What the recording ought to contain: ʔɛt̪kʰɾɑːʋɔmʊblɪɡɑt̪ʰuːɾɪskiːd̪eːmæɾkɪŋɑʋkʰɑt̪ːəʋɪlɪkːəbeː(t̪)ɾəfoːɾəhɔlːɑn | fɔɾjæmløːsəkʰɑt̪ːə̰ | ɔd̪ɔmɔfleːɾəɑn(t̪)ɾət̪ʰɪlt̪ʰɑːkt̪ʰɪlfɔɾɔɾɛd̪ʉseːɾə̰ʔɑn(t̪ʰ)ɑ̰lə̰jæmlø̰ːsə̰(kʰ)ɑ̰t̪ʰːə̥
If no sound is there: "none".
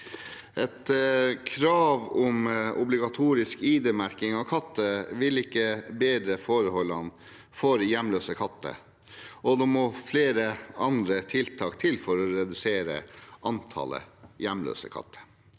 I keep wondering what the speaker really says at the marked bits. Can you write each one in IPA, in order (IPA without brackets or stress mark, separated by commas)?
d̪, d̪, t̪ʰ, kʰ